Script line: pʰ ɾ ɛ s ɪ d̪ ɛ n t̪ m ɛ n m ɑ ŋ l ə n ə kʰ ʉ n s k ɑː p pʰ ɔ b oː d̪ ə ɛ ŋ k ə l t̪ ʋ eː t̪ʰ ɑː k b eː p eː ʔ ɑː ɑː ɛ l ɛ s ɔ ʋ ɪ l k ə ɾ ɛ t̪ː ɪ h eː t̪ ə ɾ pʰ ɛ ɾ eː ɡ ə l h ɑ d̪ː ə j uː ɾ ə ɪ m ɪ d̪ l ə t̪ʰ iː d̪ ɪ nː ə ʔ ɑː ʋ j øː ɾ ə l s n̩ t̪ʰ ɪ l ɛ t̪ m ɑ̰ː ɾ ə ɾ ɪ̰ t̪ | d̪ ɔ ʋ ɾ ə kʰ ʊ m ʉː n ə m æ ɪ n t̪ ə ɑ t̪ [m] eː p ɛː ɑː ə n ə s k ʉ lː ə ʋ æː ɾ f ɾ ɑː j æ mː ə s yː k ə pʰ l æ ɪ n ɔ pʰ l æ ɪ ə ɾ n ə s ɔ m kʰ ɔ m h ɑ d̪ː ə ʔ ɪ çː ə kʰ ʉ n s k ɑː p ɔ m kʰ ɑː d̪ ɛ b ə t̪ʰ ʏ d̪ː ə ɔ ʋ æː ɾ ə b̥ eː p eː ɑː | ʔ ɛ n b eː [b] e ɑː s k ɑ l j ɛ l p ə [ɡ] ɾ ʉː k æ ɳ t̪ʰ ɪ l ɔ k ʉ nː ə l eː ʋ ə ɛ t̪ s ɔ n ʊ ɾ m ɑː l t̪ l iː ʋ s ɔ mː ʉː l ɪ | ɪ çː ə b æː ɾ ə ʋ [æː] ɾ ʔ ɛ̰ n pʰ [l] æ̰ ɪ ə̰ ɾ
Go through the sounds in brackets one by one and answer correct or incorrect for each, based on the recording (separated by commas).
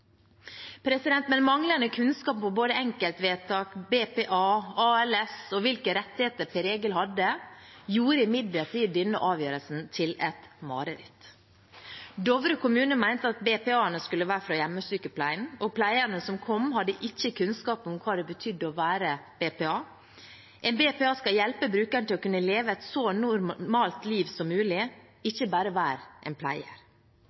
incorrect, incorrect, incorrect, correct, correct